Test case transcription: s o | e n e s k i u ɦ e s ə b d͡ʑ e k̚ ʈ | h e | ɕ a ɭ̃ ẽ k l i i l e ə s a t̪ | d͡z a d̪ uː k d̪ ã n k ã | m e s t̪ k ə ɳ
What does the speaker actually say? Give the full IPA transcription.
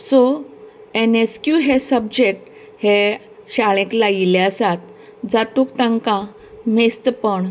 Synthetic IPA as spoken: s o | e n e s k j u ɦ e s ə b d͡ʑ e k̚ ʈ | h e | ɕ a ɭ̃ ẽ k l a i l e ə s a t̪ | d͡z a t̪ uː k t̪ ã ŋ k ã | m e s t̪ p ə ɳ